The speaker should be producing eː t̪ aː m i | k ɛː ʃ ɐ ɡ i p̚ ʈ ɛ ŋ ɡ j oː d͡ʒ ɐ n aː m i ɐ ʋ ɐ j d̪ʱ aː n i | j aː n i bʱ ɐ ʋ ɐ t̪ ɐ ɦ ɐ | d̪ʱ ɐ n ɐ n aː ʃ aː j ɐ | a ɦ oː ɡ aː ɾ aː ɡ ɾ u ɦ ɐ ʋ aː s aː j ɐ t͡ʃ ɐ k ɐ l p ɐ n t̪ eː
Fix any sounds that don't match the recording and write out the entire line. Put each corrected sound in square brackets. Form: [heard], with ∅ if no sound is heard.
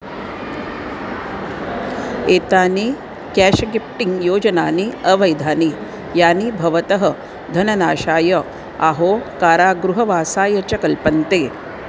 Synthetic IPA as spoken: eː t̪ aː [n] i | k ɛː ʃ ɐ ɡ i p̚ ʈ [i] ŋ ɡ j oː d͡ʒ ɐ n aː [n] i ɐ ʋ ɐ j d̪ʱ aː n i | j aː n i bʱ ɐ ʋ ɐ t̪ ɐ ɦ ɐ | d̪ʱ ɐ n ɐ n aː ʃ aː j ɐ | a ɦ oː [k] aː ɾ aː ɡ ɾ u ɦ ɐ ʋ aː s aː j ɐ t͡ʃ ɐ k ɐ l p ɐ n t̪ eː